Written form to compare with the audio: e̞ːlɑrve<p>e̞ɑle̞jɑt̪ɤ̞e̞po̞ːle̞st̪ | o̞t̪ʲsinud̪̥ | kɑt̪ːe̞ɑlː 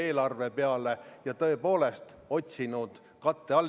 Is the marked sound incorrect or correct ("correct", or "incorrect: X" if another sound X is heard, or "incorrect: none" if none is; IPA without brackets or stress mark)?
correct